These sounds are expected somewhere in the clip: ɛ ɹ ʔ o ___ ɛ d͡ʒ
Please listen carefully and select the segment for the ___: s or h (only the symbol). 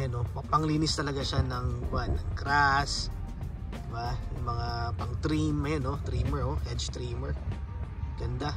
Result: h